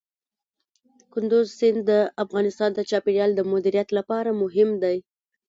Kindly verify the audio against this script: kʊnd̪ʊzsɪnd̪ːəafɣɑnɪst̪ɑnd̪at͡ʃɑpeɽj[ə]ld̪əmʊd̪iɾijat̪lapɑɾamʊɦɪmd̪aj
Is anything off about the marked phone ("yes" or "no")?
yes